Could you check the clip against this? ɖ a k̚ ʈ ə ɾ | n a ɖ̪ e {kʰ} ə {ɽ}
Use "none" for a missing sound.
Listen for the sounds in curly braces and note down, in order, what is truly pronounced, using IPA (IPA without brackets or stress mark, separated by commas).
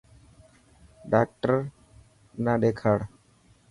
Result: kʰ, ɽ